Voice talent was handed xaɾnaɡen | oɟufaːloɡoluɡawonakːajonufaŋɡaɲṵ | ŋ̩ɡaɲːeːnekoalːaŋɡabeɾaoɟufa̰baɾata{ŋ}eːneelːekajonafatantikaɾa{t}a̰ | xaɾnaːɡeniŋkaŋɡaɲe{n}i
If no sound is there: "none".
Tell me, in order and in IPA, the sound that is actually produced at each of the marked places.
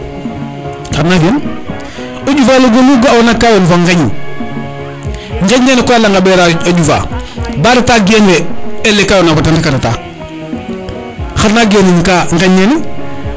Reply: ɡ, t, n

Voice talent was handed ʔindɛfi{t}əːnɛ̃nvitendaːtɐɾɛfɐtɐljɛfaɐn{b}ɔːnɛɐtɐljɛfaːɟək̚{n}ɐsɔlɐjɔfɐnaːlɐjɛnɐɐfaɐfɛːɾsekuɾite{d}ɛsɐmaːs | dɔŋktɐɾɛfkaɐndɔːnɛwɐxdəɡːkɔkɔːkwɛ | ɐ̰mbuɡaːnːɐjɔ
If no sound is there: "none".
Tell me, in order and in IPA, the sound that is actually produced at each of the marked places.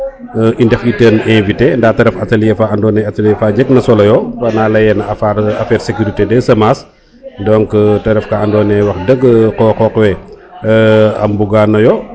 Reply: t, d, n, d

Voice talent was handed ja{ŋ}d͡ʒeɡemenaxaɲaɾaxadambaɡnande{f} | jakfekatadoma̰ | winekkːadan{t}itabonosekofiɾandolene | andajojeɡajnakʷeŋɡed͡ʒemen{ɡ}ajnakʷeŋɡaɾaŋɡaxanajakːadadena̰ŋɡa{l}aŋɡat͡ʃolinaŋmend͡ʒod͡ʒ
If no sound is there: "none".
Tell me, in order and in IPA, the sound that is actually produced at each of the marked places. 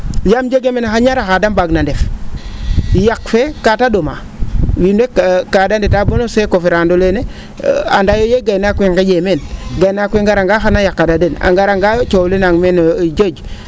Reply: m, f, d, ɡ, ɾ

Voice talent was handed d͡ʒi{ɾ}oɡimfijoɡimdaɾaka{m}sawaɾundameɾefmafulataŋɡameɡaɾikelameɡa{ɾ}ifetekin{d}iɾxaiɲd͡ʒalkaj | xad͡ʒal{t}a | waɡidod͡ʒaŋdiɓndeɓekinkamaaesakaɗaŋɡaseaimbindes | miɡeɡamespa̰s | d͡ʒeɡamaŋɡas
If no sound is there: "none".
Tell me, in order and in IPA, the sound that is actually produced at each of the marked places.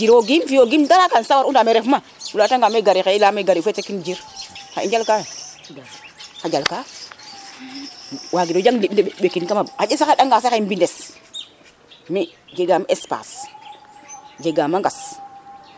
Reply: ɾ, n, ɾ, d͡ʒ, k

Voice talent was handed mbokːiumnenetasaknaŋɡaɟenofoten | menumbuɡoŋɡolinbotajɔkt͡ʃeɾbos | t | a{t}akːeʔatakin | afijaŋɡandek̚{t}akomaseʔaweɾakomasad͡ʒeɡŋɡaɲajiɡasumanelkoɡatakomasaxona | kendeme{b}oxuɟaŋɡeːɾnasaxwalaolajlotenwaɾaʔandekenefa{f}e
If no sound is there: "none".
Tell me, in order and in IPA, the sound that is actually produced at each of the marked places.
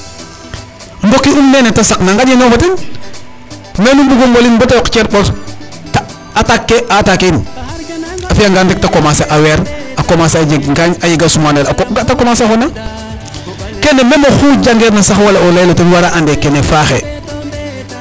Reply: t, t, m, x

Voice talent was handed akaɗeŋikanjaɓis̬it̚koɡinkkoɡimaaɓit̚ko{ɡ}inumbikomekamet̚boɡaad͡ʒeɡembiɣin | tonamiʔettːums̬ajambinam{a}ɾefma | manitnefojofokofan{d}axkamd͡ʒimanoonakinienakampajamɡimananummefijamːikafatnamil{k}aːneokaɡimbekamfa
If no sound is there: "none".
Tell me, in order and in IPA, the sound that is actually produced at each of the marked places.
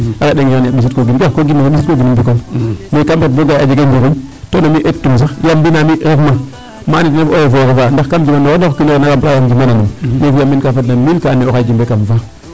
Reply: ɡ, i, d, k

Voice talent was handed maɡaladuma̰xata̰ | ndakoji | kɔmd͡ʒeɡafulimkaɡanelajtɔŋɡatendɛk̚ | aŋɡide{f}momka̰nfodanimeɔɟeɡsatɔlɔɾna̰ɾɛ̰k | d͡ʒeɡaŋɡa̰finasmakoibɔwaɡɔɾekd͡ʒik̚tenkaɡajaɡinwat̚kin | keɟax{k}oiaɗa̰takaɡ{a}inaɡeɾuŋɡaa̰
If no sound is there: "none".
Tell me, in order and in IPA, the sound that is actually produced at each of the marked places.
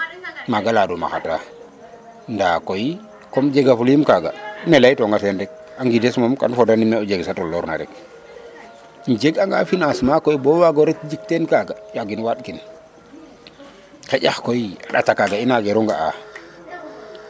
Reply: s, k, a

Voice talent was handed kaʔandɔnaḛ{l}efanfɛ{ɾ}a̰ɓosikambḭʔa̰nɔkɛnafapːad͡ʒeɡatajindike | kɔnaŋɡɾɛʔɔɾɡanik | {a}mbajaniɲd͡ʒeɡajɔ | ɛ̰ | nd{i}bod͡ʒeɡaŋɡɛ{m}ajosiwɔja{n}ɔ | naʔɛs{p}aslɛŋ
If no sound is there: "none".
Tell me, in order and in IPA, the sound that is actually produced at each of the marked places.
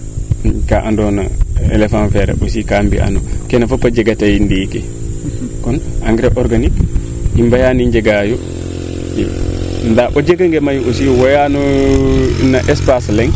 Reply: l, ɾ, i, a, m, n, p

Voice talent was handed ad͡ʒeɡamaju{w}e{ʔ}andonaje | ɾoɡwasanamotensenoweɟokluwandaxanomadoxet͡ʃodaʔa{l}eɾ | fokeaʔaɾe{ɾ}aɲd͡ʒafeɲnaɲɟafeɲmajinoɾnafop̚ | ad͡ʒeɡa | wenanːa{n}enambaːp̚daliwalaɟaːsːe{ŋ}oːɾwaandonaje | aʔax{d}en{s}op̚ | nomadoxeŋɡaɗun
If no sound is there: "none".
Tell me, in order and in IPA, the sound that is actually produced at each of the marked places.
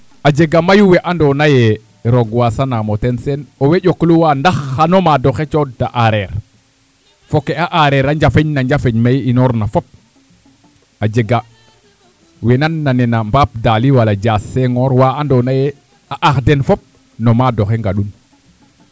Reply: w, ʔ, ɾ, ɾ, n, ŋ, d, f

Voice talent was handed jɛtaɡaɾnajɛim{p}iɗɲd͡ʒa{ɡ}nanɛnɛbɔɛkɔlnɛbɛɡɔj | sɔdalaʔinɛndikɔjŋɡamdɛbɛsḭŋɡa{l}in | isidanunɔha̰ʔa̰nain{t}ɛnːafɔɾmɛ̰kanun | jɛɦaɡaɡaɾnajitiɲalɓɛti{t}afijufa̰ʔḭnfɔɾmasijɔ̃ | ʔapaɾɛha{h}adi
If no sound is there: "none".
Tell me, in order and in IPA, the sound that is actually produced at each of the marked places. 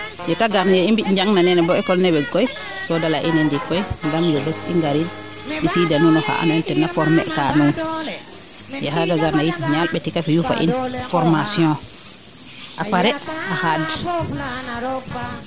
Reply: b, ŋ, ɾ, t, k, h

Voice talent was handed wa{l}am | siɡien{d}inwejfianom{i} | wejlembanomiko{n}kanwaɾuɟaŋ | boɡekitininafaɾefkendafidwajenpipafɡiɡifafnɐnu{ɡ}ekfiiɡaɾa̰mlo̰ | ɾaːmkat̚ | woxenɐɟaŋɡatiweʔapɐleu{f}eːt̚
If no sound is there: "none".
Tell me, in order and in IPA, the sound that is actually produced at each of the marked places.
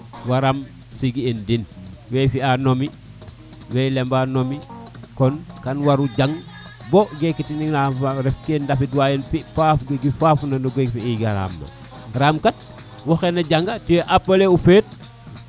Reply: ɾ, d, i, n, ɡ, f

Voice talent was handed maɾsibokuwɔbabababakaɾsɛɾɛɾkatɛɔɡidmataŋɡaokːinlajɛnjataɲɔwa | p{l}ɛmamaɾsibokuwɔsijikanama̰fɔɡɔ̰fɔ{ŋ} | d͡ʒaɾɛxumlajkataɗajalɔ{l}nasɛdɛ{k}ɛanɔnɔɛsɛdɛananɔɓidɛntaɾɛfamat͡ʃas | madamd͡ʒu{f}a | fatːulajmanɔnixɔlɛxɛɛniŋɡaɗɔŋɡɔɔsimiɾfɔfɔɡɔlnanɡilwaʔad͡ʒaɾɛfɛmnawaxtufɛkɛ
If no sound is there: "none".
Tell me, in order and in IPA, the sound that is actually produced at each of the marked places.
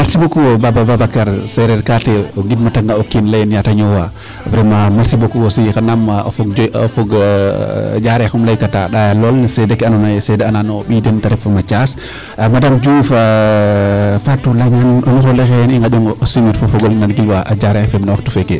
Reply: ɾ, ɡ, l, k, f

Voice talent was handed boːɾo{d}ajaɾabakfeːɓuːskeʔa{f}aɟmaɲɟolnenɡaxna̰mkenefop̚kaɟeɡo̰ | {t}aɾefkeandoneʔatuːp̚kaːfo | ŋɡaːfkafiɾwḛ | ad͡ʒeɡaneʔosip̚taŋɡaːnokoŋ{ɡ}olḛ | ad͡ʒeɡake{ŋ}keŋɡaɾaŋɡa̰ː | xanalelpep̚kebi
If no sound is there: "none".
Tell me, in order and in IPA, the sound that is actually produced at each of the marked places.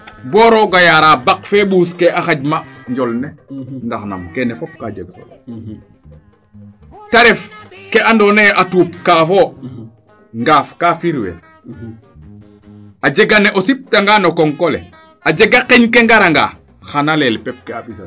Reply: ɡ, x, t, k, ɲ

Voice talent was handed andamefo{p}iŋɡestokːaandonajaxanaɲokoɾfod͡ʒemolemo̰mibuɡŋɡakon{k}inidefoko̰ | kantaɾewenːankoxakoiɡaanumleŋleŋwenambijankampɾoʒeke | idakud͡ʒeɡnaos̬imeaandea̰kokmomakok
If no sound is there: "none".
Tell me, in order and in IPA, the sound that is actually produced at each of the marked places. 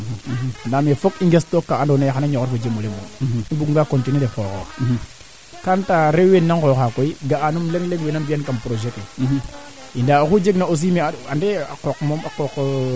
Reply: k, t

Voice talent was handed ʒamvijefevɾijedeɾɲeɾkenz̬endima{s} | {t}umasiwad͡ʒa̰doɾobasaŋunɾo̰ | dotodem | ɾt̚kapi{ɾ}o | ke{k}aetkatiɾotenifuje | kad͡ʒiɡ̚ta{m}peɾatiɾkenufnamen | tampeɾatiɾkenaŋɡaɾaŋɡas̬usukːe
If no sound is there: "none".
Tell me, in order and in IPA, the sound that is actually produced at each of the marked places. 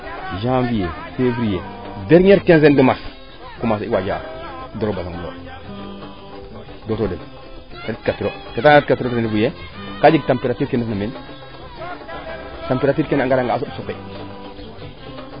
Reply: s, k, ɾ, t, m

